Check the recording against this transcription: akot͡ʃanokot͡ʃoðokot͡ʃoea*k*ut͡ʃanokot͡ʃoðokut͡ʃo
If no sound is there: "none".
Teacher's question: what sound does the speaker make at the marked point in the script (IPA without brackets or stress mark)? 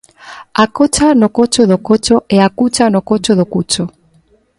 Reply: k